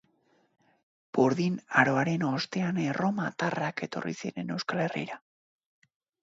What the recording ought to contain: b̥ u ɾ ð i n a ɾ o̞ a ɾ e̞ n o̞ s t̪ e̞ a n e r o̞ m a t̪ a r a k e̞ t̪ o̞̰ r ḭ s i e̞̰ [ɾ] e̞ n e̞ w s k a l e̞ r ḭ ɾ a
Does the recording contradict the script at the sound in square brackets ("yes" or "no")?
no